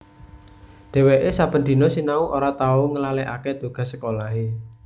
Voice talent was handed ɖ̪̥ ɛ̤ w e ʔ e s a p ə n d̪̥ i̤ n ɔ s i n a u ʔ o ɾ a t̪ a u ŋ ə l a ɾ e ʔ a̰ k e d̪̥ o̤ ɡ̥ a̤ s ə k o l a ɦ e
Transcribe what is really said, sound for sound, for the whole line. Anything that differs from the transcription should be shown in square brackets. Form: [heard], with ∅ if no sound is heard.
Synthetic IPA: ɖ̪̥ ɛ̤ w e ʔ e s a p ə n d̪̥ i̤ n ɔ s i n a u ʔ o ɾ a t̪ a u ŋ ə l a [l] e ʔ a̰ k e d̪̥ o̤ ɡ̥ a̤ s ə k o l a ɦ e